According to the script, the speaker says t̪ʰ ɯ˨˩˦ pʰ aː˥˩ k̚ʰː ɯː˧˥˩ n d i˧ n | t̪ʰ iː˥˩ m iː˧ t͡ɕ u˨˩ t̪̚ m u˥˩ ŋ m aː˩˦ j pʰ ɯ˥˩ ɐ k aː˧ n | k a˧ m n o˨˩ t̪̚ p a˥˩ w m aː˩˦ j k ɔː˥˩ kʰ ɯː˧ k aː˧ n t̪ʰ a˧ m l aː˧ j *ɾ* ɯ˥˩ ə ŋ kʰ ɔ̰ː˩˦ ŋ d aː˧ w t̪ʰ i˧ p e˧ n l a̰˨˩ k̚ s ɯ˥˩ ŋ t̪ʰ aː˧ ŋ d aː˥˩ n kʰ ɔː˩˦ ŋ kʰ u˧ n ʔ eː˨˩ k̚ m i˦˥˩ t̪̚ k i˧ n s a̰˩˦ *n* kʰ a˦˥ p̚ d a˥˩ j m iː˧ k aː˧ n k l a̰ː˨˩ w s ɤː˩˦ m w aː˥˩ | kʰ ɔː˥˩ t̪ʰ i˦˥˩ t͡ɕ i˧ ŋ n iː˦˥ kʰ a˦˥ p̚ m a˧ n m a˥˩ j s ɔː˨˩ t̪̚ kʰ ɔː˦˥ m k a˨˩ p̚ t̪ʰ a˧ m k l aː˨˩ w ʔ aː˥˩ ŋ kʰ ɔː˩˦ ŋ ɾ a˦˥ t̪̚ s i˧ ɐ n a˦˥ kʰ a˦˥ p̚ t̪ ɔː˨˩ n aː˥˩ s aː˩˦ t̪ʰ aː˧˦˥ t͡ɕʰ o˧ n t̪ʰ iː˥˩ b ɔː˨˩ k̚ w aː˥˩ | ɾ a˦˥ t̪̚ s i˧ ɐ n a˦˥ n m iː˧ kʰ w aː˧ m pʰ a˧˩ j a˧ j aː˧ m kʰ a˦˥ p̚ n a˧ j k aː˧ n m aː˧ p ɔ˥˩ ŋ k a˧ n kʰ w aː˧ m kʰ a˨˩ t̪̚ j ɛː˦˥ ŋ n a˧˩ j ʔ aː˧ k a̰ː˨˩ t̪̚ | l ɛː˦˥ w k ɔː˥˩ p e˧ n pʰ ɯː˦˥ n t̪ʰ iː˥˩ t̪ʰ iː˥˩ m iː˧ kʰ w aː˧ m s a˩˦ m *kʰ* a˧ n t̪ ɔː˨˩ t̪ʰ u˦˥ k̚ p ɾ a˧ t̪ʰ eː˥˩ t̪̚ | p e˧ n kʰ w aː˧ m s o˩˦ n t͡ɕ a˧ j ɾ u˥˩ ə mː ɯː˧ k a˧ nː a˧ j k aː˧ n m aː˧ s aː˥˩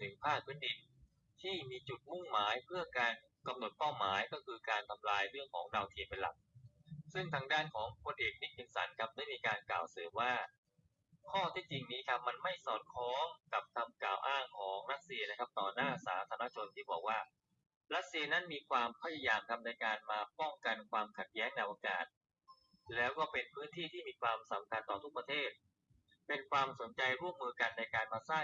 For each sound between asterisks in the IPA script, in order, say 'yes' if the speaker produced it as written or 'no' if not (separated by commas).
yes, yes, yes